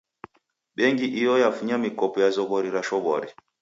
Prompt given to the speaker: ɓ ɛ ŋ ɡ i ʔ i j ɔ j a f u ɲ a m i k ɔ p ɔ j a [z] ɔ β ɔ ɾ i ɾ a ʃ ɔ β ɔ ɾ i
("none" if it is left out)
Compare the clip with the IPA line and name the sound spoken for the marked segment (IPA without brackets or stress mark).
z